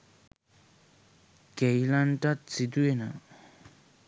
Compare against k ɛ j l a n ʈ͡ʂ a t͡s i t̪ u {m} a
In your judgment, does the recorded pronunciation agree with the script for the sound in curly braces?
no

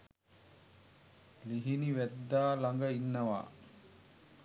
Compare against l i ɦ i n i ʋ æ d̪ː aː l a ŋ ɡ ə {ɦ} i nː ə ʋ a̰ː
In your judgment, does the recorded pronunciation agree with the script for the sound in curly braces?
no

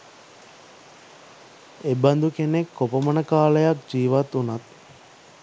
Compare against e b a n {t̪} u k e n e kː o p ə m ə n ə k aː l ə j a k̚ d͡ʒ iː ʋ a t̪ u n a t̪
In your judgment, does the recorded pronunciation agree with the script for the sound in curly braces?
no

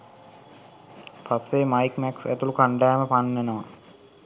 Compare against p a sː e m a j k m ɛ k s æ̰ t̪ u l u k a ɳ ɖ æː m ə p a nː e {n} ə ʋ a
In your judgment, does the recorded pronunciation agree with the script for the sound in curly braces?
yes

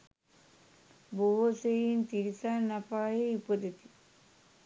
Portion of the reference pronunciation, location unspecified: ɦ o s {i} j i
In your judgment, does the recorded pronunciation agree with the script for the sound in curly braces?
no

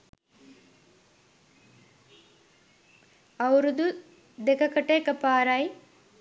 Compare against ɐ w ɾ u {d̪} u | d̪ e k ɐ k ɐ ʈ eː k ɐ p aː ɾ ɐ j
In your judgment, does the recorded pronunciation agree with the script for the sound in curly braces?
yes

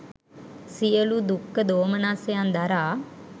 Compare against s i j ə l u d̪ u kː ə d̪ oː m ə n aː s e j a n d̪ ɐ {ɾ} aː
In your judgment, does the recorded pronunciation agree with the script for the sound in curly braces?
yes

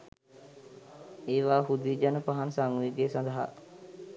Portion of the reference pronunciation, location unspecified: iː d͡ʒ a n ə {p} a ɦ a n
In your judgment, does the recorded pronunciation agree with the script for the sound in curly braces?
yes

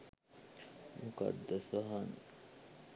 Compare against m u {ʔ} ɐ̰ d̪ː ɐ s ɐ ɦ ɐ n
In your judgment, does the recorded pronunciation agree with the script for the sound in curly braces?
no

